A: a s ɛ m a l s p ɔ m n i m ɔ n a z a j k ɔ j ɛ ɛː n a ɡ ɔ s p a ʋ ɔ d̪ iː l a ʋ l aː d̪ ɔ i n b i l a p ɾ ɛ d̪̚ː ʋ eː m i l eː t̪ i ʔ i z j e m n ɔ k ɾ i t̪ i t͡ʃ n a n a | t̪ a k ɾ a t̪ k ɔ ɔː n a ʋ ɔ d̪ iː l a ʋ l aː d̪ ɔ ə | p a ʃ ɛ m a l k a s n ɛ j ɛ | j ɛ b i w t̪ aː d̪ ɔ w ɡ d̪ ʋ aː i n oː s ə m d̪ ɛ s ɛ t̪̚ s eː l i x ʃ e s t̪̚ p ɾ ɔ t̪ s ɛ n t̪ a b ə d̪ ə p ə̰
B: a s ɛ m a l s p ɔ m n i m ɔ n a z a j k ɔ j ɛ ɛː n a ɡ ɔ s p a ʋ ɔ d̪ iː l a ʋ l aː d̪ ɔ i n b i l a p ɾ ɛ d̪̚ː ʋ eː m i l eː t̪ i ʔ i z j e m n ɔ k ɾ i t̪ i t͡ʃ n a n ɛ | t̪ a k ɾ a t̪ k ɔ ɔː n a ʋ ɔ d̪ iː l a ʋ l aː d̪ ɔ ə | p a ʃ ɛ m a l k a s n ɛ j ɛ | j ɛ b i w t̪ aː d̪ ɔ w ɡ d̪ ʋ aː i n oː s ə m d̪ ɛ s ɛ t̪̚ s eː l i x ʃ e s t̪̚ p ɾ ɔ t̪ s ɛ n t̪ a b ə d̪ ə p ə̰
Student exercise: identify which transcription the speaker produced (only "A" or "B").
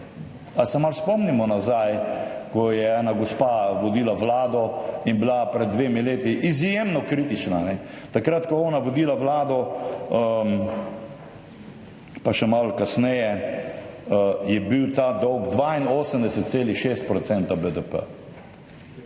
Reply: B